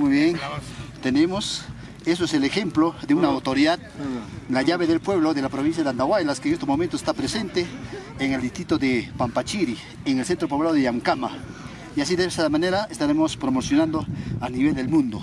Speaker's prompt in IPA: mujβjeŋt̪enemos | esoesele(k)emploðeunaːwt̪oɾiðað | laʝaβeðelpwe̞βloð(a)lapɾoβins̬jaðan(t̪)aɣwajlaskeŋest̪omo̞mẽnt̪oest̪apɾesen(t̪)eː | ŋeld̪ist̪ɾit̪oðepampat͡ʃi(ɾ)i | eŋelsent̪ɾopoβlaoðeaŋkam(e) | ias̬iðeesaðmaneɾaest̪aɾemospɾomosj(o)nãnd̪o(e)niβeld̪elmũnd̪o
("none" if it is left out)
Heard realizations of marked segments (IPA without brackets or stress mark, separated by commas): x, e, d̪, t̪, ɾ, a, o, a